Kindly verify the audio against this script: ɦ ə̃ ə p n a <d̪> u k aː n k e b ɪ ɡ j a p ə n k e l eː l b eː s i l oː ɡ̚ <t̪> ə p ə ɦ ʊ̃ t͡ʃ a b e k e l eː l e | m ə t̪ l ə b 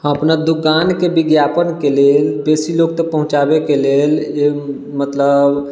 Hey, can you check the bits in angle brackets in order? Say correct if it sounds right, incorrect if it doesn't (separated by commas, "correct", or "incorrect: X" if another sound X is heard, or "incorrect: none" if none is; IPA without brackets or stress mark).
correct, correct